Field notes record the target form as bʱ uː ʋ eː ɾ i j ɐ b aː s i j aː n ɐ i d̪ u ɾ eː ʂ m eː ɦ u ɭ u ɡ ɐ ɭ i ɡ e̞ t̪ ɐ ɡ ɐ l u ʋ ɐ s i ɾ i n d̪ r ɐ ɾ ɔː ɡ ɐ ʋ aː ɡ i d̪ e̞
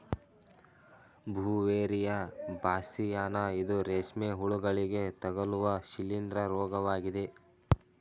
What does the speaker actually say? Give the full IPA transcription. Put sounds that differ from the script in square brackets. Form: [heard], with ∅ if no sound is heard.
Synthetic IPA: bʱ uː ʋ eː ɾ i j ɐ b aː s i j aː n ɐ i d̪ u ɾ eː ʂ m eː ɦ u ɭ u ɡ ɐ ɭ i ɡ e̞ t̪ ɐ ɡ ɐ l u ʋ ɐ [ʃ] i [l] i n d̪ [ɾ] ɐ ɾ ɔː ɡ ɐ ʋ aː ɡ i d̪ e̞